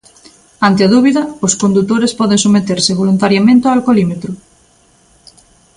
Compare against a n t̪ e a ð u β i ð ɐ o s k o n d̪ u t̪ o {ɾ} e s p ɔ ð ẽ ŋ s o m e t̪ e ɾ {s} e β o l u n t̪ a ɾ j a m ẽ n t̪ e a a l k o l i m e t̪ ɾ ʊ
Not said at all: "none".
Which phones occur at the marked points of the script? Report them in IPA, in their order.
ɾ, s

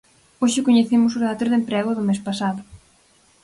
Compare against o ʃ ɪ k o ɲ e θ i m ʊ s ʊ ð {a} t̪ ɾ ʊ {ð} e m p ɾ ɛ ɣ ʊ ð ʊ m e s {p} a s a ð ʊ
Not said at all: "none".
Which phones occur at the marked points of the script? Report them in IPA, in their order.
a, ð, p

